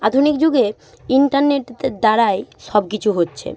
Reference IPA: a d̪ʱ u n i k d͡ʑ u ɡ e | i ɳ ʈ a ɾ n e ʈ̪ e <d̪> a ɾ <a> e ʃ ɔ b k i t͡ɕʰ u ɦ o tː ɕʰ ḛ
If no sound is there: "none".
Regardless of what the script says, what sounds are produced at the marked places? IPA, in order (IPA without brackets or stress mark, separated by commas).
d̪, a